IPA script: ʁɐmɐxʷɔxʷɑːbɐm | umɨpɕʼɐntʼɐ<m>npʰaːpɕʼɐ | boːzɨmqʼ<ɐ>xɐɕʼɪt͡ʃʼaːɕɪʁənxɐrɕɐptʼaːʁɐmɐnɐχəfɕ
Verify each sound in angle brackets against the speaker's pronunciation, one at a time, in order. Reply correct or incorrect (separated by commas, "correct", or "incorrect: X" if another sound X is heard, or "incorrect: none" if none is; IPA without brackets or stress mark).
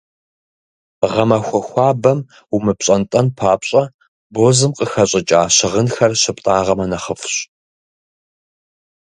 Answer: incorrect: none, incorrect: ə